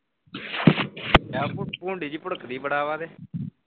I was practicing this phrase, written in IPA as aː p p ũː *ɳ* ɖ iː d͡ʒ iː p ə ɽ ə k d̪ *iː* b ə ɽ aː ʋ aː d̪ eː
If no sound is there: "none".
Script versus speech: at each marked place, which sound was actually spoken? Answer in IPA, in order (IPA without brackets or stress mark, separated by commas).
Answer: ɳ, iː